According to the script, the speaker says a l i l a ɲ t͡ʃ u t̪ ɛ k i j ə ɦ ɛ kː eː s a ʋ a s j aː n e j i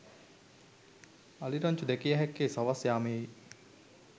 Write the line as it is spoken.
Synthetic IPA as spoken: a l i ɾ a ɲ t͡ʃ u d̪ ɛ k i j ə ɦ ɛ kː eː s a ʋ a s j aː m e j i